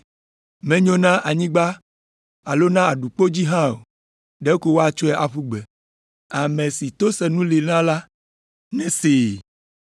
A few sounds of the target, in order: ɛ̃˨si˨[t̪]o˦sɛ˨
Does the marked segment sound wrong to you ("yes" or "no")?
no